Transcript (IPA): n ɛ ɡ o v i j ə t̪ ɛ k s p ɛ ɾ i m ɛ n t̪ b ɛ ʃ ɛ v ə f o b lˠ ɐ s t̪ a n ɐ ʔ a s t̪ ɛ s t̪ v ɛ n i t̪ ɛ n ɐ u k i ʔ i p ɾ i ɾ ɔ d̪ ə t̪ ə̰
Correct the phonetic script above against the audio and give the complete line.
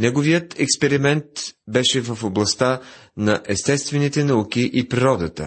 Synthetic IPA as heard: n ɛ ɡ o v i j ə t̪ ɛ k s p ɛ ɾ i m ɛ n t̪ b ɛ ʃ ɛ v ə f o b lˠ ɐ s t̪ a n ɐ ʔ ɛ s t̪ ɛ s t̪ v ɛ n i t̪ ɛ n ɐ u k i ʔ i p ɾ i ɾ ɔ d̪ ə t̪ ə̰